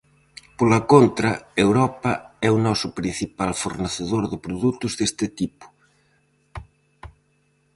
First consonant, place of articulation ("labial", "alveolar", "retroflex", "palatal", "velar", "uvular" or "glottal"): labial